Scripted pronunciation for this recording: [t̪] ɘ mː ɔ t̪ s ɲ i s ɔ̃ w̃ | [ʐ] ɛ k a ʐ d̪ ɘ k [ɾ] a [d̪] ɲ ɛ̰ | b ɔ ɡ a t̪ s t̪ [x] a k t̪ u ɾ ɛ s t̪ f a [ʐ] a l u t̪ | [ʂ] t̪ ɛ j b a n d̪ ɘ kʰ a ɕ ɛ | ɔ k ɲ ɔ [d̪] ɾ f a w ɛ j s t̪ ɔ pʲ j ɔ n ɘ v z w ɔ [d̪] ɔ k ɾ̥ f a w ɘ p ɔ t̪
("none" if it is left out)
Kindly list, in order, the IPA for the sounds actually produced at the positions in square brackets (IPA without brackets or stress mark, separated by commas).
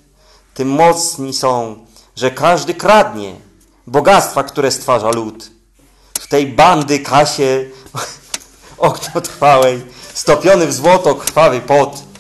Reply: t̪, ʐ, ɾ, d̪, f, ʐ, f, t̪, t̪